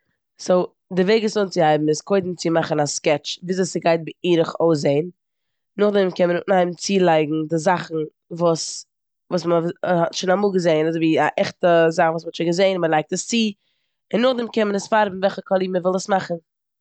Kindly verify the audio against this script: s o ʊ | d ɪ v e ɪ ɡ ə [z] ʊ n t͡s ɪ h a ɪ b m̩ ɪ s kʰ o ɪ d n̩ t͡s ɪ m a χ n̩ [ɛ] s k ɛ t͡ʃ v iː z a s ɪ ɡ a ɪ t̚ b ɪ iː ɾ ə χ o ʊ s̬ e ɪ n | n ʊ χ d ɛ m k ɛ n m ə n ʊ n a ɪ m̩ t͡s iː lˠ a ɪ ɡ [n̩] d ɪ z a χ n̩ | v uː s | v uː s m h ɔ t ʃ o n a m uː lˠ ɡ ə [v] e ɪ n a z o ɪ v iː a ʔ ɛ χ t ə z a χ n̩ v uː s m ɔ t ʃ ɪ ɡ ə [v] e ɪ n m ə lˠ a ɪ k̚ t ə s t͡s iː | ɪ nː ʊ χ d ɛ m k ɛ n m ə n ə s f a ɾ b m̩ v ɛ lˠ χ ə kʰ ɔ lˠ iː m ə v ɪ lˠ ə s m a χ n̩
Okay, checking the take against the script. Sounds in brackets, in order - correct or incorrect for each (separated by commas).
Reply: incorrect, incorrect, incorrect, incorrect, incorrect